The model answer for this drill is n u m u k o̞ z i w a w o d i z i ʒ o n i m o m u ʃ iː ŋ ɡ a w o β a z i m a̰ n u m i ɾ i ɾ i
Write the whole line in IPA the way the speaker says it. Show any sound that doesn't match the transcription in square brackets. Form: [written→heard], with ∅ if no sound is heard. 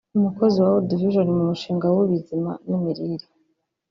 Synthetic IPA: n u m u k o̞ z i w a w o d i [z→v] i ʒ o n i m [o→u] m u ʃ iː ŋ ɡ a w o β [a→i] z i m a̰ n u m i ɾ i ɾ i